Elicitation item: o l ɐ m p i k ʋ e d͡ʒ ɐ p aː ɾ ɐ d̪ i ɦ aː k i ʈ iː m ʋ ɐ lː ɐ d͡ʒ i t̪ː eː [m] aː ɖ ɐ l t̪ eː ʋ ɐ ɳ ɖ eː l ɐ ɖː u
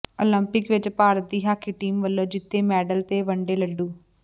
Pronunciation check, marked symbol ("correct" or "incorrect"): correct